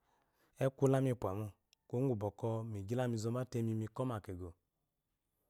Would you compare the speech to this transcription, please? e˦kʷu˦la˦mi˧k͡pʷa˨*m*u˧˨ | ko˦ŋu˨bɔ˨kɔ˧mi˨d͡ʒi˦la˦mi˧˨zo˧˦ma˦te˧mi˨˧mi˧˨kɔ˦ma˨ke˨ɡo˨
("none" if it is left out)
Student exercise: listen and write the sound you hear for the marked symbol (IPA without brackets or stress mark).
m